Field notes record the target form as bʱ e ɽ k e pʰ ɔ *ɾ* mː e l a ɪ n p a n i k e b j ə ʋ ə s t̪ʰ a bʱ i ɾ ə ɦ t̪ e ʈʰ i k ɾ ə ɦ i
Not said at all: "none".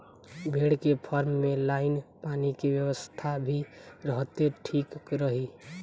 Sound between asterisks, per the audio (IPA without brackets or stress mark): ɾ